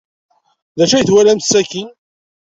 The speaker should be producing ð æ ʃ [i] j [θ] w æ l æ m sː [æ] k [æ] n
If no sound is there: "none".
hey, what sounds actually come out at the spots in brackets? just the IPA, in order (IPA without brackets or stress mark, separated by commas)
æ, θ, æ, i